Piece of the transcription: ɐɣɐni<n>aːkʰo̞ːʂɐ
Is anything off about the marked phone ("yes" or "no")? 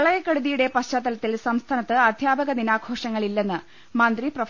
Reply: no